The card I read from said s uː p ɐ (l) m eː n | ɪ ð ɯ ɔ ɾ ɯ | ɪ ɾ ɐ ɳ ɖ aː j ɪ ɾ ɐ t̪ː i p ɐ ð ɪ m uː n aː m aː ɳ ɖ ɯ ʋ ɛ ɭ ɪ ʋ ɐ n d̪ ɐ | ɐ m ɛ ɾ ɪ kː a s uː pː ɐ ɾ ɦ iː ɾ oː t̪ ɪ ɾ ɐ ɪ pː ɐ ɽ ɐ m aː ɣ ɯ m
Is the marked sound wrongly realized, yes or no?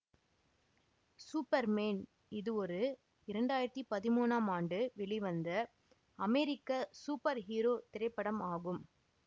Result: yes